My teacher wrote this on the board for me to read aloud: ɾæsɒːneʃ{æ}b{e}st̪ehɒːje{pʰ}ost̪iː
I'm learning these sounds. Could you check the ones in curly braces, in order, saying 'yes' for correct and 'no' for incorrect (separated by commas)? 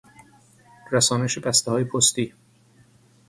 no, no, yes